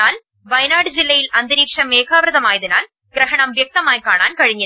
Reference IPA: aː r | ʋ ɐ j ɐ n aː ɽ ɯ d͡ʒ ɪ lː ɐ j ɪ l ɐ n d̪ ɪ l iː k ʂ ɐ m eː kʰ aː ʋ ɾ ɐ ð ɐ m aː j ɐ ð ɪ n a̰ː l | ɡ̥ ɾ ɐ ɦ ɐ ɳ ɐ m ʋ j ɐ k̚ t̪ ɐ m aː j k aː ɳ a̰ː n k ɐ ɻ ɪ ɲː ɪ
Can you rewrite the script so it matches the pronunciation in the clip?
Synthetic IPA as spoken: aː l | ʋ ɐ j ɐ n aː ɽ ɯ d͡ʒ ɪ lː ɐ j ɪ l ɐ n d̪ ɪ ɾ iː k ʂ ɐ m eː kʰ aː ʋ ɾ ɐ ð ɐ m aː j ɐ ð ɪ n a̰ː l | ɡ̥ ɾ ɐ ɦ ɐ ɳ ɐ m ʋ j ɐ k̚ t̪ ɐ m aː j k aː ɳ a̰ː n k ɐ ɻ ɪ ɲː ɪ